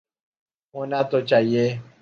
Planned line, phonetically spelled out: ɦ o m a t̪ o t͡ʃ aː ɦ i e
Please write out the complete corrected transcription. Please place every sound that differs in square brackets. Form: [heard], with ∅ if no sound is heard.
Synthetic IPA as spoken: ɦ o [n] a t̪ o t͡ʃ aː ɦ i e